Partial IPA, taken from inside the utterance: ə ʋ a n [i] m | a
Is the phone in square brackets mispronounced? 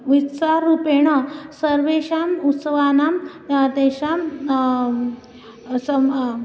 yes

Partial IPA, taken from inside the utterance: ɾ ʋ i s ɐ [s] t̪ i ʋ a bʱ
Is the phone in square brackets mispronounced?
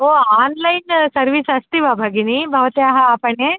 no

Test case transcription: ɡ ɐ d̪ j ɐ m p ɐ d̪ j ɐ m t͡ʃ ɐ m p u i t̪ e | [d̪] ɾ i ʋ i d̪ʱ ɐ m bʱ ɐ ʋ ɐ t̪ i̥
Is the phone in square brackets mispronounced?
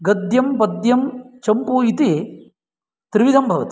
yes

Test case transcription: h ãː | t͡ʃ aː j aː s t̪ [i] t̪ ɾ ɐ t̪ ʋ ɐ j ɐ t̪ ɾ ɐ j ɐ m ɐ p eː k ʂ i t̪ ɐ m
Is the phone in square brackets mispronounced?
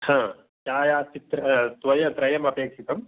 no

